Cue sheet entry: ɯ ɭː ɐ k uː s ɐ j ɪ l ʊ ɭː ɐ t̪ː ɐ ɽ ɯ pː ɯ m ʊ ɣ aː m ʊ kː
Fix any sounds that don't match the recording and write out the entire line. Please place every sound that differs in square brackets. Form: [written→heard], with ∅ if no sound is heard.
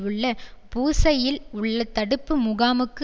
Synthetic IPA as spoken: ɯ ɭː ɐ [k→p] uː s ɐ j ɪ l ʊ ɭː ɐ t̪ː ɐ ɽ ɯ pː ɯ m ʊ ɣ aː m [ʊ→ɯ] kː